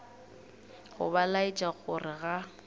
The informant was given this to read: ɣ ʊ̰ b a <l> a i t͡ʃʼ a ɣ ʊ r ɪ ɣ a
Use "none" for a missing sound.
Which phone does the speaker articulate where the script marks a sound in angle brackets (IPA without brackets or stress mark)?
l